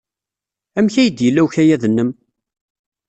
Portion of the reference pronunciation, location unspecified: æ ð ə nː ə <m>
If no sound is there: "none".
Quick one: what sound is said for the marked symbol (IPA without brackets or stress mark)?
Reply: m